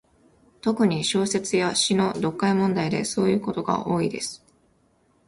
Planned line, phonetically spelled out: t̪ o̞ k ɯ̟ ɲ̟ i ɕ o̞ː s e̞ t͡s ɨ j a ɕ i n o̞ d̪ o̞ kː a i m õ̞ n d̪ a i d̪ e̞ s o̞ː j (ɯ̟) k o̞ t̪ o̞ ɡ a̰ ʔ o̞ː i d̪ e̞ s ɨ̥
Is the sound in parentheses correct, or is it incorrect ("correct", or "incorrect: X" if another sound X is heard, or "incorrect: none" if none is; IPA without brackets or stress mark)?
incorrect: ɯ̟ː